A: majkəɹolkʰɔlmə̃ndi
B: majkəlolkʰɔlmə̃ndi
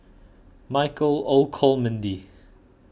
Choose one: B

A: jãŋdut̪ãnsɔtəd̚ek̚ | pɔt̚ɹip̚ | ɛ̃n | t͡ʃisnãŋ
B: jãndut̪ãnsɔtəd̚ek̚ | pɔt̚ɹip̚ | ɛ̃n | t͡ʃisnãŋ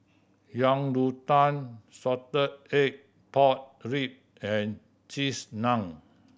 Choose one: A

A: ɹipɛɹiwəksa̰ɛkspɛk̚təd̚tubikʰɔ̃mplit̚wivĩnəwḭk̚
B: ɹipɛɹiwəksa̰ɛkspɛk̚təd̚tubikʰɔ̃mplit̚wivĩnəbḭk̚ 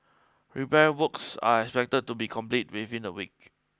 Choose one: A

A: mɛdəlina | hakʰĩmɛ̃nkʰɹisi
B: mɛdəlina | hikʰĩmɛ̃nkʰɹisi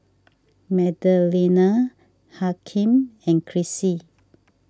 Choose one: A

